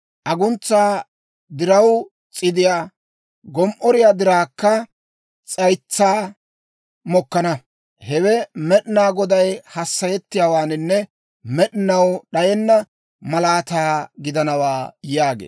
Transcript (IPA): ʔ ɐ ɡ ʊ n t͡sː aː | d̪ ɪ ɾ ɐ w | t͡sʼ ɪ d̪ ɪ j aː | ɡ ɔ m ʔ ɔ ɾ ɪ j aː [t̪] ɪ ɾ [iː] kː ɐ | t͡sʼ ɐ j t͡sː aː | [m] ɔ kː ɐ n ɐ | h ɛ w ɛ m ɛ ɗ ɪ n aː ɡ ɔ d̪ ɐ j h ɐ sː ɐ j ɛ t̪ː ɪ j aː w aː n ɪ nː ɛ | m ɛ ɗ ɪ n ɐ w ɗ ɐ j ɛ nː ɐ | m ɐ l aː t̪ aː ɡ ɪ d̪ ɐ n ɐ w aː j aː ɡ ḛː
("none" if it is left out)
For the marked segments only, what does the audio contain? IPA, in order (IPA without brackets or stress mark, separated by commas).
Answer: d̪, aː, m